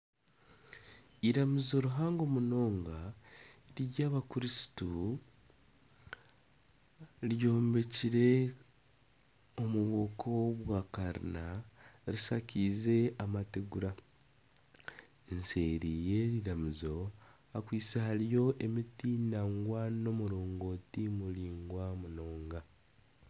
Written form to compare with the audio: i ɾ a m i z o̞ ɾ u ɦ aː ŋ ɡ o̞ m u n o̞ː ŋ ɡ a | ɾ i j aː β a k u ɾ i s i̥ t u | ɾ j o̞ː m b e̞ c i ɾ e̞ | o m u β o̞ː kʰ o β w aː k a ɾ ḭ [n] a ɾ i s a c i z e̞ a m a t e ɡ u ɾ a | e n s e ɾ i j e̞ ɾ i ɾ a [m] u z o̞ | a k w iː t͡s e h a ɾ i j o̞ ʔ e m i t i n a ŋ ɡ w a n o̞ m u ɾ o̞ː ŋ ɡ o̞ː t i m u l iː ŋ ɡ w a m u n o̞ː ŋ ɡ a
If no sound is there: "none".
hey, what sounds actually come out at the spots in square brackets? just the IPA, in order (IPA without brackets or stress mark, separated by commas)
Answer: n, m